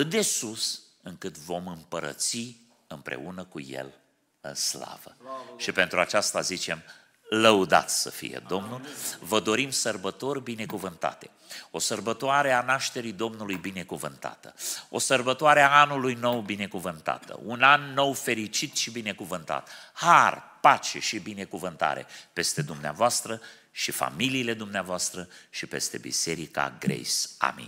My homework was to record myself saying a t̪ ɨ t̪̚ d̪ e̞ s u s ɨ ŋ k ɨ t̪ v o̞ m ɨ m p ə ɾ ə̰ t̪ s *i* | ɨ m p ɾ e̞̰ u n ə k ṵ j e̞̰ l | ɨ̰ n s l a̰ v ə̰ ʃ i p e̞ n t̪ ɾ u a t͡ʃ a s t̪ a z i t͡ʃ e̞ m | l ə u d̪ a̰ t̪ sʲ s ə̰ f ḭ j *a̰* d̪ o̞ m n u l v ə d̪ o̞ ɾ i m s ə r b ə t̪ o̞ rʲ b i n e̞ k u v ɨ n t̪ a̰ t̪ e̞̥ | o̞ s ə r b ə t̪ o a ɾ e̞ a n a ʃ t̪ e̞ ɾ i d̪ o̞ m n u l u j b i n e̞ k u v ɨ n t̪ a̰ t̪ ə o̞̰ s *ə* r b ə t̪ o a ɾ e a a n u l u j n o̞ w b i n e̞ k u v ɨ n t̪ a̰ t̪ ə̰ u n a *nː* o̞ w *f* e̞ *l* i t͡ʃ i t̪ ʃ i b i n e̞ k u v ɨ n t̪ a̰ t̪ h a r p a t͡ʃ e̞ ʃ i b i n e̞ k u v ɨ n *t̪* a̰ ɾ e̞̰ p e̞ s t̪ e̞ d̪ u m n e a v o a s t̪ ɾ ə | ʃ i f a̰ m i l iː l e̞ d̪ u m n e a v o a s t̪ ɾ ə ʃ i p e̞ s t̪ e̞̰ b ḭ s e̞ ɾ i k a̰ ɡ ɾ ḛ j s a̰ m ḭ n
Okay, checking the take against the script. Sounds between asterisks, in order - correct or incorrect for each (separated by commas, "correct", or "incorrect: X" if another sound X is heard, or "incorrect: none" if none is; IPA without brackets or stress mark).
correct, incorrect: ḛ, correct, correct, correct, incorrect: ɾ, correct